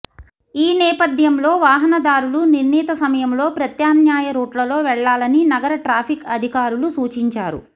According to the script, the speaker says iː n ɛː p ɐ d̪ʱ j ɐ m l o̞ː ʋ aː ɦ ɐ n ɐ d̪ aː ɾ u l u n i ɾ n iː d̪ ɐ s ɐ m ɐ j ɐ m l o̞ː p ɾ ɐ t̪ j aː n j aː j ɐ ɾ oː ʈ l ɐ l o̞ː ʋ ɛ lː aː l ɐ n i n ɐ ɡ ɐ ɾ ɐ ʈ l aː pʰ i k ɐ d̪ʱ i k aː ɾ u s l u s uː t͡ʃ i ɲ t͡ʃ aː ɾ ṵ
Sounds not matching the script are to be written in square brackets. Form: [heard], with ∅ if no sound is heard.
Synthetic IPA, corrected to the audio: iː n ɛː p ɐ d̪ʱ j ɐ m l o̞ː ʋ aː ɦ ɐ n ɐ d̪ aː ɾ u l u n i ɾ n iː [t̪] ɐ s ɐ m ɐ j ɐ m l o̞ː p ɾ ɐ t̪ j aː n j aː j ɐ ɾ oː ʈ l ɐ l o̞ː ʋ ɛ [ɭː] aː l ɐ n i n ɐ ɡ ɐ ɾ ɐ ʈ [ɾ] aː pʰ i k ɐ d̪ʱ i k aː ɾ u [∅] l u s uː t͡ʃ i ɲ t͡ʃ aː ɾ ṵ